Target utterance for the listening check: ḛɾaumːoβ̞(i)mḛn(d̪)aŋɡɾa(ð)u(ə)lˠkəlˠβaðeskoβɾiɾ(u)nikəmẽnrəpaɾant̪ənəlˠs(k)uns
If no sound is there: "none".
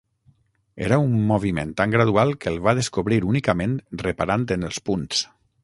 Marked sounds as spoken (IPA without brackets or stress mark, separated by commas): i, t̪, ð, a, u, p